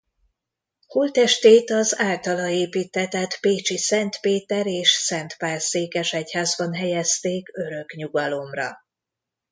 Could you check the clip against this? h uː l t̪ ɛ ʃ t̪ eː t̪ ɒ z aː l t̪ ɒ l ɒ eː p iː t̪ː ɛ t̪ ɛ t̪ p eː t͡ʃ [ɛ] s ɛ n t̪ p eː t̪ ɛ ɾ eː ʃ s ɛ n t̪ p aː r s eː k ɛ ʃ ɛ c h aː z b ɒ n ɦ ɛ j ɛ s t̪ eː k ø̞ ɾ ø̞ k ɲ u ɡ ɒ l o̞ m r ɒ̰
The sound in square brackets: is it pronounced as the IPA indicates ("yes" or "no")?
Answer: no